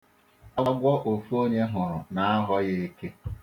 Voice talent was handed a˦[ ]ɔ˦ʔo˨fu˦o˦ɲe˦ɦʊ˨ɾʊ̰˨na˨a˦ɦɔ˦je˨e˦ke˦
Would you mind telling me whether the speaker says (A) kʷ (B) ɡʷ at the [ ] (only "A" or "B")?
B